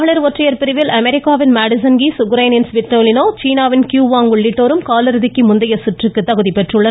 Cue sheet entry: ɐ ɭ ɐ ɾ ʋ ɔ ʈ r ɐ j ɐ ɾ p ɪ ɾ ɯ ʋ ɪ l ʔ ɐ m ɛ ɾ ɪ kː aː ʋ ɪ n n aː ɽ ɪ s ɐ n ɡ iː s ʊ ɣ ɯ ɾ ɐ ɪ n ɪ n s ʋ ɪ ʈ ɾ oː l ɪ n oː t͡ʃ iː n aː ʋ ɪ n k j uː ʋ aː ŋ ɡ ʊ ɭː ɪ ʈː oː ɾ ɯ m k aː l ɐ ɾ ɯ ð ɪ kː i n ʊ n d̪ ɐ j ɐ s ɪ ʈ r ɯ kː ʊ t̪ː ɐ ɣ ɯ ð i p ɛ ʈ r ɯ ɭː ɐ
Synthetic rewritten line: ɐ ɭ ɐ ɾ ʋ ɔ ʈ r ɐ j ɐ ɾ p ɪ ɾ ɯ ʋ ɪ l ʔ ɐ m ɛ ɾ ɪ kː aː ʋ ɪ n m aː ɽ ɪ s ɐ n ɡ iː s ʊ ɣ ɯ ɾ ɐ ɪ n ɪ n s ʋ ɪ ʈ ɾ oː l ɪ n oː t͡ʃ iː n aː ʋ ɪ n k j uː ʋ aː ŋ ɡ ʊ ɭː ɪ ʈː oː ɾ ɯ m k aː l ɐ ɾ ɯ ð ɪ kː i m ʊ n d̪ ɐ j ɐ s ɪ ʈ r ɯ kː ɯ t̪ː ɐ ɣ ɯ ð i p ɛ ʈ r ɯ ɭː ɐ